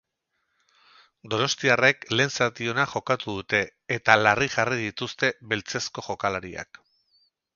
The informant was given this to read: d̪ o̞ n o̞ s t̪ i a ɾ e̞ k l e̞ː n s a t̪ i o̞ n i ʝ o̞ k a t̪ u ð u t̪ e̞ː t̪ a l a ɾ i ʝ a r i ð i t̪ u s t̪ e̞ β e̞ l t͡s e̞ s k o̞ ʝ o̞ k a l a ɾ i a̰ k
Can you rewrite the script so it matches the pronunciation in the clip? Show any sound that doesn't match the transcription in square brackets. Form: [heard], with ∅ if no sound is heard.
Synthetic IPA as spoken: d̪ o̞ n o̞ s t̪ i a [r] e̞ k l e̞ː n s a t̪ i o̞ n [a] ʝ o̞ k a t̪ u ð u t̪ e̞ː t̪ a l a [r] i ʝ a r i ð i t̪ u s t̪ e̞ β e̞ l t͡s e̞ s k o̞ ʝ o̞ k a l a ɾ i a̰ k

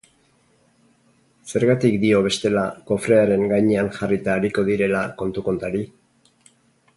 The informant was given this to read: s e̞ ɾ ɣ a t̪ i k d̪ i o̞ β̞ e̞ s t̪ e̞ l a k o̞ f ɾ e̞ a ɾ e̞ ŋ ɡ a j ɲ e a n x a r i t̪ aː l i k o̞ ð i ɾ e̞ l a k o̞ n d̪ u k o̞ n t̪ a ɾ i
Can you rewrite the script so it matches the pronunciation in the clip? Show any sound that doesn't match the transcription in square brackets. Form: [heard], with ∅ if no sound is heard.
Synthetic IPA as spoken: s e̞ ɾ ɣ a t̪ i k d̪ i o̞ β̞ e̞ s t̪ e̞ l a k o̞ f ɾ e̞ a ɾ e̞ ŋ ɡ a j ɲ e a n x a r i t̪ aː [ɾ] i k o̞ ð i ɾ e̞ l a k o̞ n [t̪] u k o̞ n t̪ a ɾ i

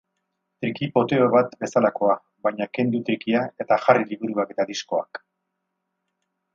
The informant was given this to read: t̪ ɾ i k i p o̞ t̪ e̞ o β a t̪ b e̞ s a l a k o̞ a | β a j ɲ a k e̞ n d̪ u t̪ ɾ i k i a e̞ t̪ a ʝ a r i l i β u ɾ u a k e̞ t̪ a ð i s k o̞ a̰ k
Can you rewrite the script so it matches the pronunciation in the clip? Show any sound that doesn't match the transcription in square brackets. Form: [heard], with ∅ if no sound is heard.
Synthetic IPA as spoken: t̪ ɾ i k i p o̞ t̪ e̞ o β a t̪ b e̞ s a l a k o̞ a | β a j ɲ a k e̞ n d̪ u t̪ ɾ i k i a e̞ t̪ a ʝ a r i l i β u ɾ u a k e̞ t̪ a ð i s k o̞ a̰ k

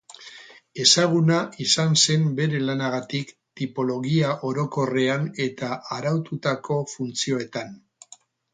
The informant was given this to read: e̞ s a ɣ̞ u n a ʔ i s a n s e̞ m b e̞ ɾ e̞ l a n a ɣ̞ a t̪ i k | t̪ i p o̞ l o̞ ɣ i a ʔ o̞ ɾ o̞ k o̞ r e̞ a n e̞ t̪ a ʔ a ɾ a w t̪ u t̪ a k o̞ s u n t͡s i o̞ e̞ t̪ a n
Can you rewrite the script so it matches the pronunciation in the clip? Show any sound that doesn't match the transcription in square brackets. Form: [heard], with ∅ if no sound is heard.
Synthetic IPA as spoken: e̞ s a ɣ̞ u n a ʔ i s a n s e̞ m b e̞ ɾ e̞ l a n a ɣ̞ a t̪ i k | t̪ i p o̞ l o̞ ɣ i a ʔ o̞ ɾ o̞ k o̞ r e̞ a n e̞ t̪ a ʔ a ɾ a w t̪ u t̪ a k o̞ [f] u n t͡s i o̞ e̞ t̪ a n

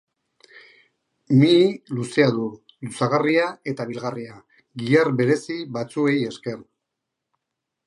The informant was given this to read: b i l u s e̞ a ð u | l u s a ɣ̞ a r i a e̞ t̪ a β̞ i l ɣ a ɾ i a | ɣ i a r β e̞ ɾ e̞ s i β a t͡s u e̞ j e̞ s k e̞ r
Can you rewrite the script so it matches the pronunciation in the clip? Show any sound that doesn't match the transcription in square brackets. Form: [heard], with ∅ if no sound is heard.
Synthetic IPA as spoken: [m] i l u s e̞ a ð u | l u s a ɣ̞ a r i a e̞ t̪ a β̞ i l ɣ a [r] i a | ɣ i a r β e̞ ɾ e̞ s i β a t͡s u e̞ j e̞ s k e̞ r

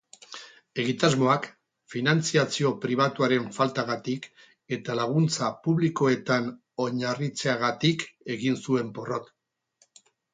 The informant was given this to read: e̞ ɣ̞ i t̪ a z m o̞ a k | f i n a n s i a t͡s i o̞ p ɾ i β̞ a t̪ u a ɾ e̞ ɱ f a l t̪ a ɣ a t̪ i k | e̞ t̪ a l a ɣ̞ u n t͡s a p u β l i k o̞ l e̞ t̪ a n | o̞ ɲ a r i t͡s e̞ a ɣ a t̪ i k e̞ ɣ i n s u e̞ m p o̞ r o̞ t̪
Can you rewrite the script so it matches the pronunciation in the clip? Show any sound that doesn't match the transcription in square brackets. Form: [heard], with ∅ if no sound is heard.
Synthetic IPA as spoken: e̞ ɣ̞ i t̪ a z m o̞ a k | f i n a n [t͡s] i a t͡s i o̞ p ɾ i β̞ a t̪ u a ɾ e̞ ɱ f a l t̪ a ɣ a t̪ i k | e̞ t̪ a l a ɣ̞ u n t͡s a p u β l i k o̞ [∅] e̞ t̪ a n | o̞ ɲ a r i t͡s e̞ a ɣ a t̪ i k e̞ ɣ i n s u e̞ m p o̞ r o̞ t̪

